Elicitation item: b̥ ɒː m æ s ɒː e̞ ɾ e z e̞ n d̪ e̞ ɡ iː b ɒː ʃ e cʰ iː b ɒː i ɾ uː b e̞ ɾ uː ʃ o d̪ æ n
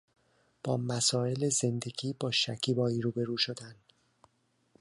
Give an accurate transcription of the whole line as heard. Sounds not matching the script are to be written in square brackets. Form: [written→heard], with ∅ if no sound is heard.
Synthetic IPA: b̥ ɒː m æ s ɒː e̞ [ɾ→l] e z e̞ n d̪ e̞ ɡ iː b ɒː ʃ [e→æ] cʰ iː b ɒː i ɾ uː b e̞ ɾ uː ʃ o d̪ æ n

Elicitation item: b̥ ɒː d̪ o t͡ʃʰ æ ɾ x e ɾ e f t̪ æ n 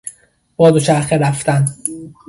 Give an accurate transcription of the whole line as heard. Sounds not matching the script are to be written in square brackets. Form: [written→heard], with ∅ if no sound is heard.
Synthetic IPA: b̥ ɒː d̪ o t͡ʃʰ æ ɾ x e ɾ [e→æ] f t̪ æ n

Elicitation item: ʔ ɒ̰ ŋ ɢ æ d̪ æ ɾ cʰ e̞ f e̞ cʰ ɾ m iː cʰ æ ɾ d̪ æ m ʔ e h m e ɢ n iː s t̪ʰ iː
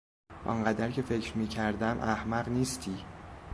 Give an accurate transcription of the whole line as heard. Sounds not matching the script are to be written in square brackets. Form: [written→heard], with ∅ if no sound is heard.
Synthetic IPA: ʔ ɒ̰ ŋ ɢ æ d̪ æ ɾ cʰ e̞ f e̞ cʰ ɾ m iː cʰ æ ɾ d̪ æ m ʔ [e→æ] h m [e→æ] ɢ n iː s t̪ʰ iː

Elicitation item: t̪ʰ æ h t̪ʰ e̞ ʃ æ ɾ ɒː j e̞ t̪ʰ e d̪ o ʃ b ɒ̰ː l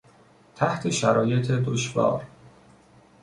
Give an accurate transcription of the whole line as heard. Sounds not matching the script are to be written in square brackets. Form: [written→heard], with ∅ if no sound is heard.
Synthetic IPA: t̪ʰ æ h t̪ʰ e̞ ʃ æ ɾ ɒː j e̞ t̪ʰ e d̪ o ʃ [b→v] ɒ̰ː [l→ɾ]

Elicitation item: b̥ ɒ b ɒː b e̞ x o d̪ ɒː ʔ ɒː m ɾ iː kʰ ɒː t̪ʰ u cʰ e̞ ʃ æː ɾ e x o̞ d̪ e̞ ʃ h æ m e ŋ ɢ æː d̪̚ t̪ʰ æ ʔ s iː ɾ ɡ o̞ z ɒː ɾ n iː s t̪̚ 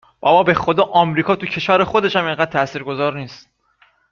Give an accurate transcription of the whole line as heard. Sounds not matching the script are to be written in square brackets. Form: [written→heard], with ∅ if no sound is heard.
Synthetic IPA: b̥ ɒ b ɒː b e̞ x o d̪ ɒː ʔ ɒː m ɾ iː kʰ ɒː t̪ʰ u cʰ e̞ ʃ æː ɾ e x o̞ d̪ e̞ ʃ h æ m e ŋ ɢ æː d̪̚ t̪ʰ æ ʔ s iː ɾ ɡ o̞ z ɒː ɾ n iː s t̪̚

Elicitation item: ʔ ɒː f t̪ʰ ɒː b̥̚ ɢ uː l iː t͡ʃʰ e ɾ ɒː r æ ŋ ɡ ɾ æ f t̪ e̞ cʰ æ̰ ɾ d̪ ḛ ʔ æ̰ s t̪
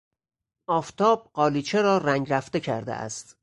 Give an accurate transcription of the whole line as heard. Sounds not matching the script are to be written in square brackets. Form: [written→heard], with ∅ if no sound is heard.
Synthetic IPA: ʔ ɒː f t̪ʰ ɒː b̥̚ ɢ [uː→ɒː] l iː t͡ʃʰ e ɾ ɒː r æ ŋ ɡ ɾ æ f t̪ e̞ cʰ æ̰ ɾ d̪ ḛ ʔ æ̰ s t̪

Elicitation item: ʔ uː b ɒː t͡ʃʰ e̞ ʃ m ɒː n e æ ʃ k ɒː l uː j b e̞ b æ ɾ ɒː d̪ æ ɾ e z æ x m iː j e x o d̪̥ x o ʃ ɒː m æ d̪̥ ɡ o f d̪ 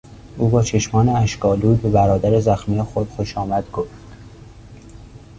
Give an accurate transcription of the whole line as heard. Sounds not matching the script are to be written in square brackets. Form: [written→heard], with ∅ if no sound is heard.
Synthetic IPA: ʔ uː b ɒː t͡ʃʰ e̞ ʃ m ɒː n e æ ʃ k ɒː l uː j b e̞ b æ ɾ ɒː d̪ æ ɾ e z æ x m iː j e x o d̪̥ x o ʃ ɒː m æ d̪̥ ɡ o f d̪

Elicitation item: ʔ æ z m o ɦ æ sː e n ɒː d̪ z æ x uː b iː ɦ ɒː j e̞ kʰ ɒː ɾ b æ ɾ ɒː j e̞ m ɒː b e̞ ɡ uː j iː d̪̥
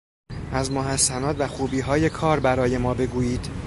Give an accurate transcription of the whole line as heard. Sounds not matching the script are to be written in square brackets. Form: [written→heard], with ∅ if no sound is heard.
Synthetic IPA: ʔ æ z m o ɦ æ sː [e→æ] n ɒː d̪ [z→v] æ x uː b iː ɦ ɒː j e̞ kʰ ɒː ɾ b æ ɾ ɒː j e̞ m ɒː b e̞ ɡ uː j iː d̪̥

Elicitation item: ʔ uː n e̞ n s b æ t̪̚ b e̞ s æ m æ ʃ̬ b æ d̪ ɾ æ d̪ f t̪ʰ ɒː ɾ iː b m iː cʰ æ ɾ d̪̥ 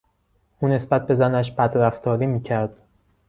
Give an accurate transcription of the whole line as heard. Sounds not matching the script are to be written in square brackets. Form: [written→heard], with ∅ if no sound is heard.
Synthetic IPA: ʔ uː n e̞ [n→∅] s b æ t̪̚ b e̞ [s→z] æ [m→n] æ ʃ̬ b æ d̪ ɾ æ [d̪→∅] f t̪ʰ ɒː ɾ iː [b→∅] m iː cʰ æ ɾ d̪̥

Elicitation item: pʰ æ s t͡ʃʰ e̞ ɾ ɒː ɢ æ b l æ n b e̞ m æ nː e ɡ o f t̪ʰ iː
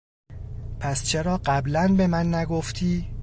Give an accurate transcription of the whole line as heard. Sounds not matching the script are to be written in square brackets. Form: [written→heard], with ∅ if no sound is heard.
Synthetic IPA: pʰ æ s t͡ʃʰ e̞ ɾ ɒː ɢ æ b l æ n b e̞ m æ nː [e→æ] ɡ o f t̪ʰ iː

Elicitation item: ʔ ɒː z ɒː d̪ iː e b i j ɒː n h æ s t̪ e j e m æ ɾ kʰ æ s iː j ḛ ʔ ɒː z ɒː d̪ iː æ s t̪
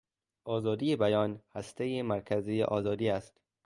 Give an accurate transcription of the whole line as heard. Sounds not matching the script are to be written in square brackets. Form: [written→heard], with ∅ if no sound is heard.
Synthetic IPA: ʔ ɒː z ɒː d̪ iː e b [i→æ] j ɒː n h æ s t̪ e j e m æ ɾ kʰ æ [s→z] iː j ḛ ʔ ɒː z ɒː d̪ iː æ s t̪

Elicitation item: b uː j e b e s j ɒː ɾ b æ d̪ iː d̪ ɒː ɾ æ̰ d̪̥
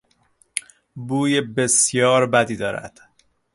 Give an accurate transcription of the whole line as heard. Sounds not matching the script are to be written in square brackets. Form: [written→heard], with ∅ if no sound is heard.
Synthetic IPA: b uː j e b e s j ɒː ɾ b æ d̪ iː d̪ ɒː ɾ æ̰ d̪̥

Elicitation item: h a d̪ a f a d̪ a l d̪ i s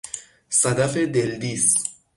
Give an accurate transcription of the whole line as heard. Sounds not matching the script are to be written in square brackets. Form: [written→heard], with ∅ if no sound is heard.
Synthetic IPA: [h→s] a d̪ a f [a→e] d̪ [a→e] l d̪ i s

